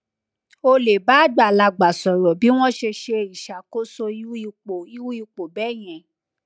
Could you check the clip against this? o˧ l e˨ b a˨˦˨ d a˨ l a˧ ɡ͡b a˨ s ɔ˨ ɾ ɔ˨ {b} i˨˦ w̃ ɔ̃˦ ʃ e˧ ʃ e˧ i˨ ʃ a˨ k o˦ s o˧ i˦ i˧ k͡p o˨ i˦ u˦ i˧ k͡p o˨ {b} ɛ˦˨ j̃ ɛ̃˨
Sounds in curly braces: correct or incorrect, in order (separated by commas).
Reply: correct, correct